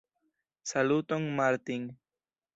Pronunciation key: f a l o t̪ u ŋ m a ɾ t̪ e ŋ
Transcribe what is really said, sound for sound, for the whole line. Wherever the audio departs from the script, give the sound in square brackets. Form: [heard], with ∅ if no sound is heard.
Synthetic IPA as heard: [s] a l [u] t̪ [o] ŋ m a ɾ t̪ [i] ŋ